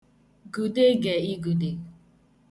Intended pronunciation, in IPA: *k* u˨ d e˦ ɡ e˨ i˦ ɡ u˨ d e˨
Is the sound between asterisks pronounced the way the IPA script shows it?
no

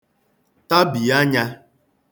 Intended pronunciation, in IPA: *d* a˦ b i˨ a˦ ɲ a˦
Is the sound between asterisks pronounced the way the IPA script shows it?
no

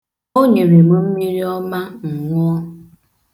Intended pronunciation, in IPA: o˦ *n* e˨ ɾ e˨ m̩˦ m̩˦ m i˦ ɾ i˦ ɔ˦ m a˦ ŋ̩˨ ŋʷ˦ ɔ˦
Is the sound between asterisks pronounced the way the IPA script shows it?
no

